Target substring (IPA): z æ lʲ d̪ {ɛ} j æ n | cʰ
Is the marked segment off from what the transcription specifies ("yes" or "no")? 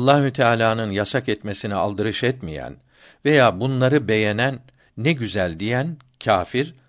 yes